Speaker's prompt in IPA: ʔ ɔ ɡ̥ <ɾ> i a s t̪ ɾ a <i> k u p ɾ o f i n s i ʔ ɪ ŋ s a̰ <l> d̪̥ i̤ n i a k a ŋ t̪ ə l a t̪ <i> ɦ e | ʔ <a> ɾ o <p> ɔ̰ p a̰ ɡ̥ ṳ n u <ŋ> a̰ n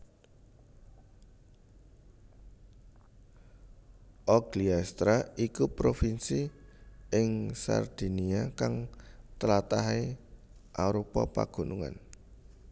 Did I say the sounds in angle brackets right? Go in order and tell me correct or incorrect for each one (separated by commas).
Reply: incorrect, correct, incorrect, incorrect, correct, correct, correct